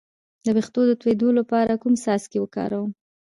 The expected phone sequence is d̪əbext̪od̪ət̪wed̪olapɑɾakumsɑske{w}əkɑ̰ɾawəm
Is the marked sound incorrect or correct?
correct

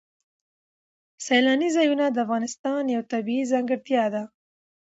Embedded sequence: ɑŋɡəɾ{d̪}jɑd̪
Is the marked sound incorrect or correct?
incorrect: t̪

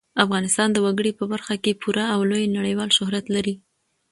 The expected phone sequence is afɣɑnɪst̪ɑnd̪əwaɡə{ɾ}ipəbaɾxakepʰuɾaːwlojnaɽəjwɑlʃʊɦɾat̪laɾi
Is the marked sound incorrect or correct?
incorrect: ɽ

